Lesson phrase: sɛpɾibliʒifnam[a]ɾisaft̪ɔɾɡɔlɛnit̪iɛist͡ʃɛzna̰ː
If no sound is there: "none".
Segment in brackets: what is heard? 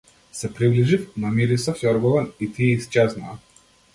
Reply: i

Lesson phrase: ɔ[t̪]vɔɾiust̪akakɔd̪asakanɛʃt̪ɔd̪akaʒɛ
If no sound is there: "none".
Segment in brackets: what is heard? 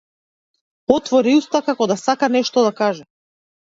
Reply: t̪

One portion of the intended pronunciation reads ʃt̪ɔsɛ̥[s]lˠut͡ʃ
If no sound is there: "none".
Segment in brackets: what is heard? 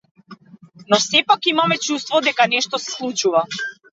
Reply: s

